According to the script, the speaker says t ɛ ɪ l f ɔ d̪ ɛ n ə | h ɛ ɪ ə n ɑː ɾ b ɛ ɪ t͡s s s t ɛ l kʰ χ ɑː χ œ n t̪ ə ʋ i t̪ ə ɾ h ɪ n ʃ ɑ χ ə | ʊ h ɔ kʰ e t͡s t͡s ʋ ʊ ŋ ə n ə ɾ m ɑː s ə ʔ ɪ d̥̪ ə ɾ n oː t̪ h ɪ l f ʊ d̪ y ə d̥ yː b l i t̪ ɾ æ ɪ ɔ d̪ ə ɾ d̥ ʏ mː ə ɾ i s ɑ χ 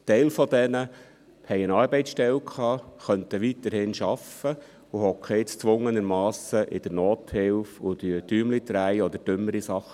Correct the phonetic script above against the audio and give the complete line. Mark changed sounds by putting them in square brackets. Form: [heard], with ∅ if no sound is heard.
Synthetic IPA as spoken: t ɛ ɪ l f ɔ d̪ ɛ n ə | h ɛ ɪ ə n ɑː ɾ b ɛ ɪ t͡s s [ʃ] t ɛ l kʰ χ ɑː χ œ n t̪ ə ʋ i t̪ ə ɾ h ɪ n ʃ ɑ [f] ə | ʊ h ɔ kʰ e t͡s t͡s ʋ ʊ ŋ ə n ə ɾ m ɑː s ə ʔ ɪ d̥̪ ə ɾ n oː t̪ h ɪ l f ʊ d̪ y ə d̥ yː [m] l i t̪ ɾ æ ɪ ɔ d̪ ə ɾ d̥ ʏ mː ə ɾ i s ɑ χ